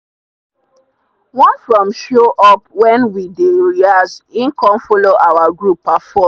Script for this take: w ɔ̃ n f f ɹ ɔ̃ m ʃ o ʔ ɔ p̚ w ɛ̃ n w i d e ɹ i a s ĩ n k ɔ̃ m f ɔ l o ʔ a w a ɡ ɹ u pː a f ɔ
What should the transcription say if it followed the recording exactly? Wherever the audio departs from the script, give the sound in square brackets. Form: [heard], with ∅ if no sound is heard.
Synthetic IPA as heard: w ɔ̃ n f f ɹ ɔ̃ m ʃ o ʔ ɔ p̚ w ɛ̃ n w i d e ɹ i a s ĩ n k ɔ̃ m f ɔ l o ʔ a w a ɡ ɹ u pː a f ɔ